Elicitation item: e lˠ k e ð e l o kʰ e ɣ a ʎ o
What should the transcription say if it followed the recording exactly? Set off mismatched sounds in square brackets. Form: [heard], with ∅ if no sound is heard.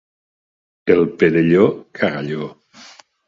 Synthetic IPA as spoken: e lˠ [p] e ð e [ʎ] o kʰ [a] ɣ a ʎ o